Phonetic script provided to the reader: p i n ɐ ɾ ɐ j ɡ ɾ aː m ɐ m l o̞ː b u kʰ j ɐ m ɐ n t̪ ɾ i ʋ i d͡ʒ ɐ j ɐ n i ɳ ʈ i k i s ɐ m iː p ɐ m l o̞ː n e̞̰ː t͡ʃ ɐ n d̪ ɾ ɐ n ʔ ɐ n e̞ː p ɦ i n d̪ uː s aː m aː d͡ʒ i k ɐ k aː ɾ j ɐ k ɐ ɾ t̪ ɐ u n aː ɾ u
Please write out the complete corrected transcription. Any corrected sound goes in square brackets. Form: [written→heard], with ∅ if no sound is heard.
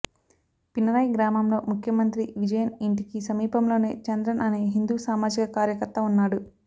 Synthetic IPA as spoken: p i n ɐ ɾ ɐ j ɡ ɾ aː m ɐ m l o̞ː [b→m] u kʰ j ɐ m ɐ n t̪ ɾ i ʋ i d͡ʒ ɐ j ɐ n i ɳ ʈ i k i s ɐ m iː p ɐ m l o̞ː n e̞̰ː t͡ʃ ɐ n d̪ ɾ ɐ n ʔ ɐ n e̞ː [p→∅] ɦ i n d̪ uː s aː m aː d͡ʒ i k ɐ k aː ɾ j ɐ k ɐ ɾ t̪ ɐ u [n→nː] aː [ɾ→ɽ] u